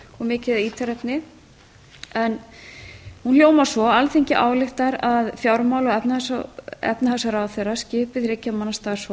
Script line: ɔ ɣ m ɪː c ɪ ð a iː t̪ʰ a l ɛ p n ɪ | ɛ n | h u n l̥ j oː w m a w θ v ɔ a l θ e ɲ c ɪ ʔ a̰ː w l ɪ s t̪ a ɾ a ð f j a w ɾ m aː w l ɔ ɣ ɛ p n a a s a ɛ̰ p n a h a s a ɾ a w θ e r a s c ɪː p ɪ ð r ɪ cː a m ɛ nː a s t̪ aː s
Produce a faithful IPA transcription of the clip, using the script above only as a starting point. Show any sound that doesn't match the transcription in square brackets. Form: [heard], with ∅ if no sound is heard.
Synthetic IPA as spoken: ɔ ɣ m ɪː c ɪ ð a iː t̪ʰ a [ɾ] ɛ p n ɪ | ɛ n | h u n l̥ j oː w m a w [s] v ɔ a l θ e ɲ c ɪ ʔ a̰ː w l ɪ [x] t̪ a ɾ a ð f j a w ɾ m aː w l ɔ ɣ ɛ p n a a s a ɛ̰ p n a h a s a ɾ a w θ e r a s c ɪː p ɪ ð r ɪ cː a m [a] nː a s t̪ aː s